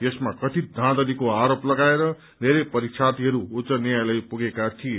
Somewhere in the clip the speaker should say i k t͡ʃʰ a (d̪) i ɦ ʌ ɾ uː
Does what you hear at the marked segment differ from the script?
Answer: yes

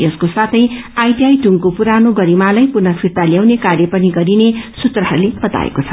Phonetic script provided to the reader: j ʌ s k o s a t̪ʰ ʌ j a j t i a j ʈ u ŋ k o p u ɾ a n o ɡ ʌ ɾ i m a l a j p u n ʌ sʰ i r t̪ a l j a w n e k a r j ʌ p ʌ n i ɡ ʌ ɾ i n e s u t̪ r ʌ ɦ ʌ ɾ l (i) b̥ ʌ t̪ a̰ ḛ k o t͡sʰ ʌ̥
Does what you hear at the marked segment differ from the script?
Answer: yes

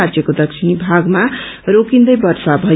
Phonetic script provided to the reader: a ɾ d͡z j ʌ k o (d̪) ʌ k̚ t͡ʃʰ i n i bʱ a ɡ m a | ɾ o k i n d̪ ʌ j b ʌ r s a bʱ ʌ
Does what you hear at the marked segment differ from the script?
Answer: no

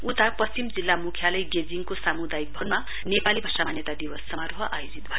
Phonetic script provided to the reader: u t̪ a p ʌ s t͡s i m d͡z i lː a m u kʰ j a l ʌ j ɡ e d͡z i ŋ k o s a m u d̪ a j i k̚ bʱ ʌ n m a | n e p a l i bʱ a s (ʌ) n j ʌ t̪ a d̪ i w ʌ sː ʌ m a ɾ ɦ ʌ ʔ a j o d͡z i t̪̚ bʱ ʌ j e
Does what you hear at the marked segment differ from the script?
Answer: yes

